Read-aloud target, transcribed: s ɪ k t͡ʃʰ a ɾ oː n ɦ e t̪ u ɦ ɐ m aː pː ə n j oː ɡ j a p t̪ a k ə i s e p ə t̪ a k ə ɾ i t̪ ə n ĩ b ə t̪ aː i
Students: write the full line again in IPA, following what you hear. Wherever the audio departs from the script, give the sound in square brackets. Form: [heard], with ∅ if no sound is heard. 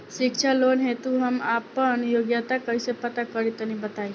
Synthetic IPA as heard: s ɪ k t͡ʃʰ a [l] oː n ɦ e t̪ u ɦ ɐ m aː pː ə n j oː ɡ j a [∅] t̪ a k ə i s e p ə t̪ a k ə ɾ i t̪ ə n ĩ b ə t̪ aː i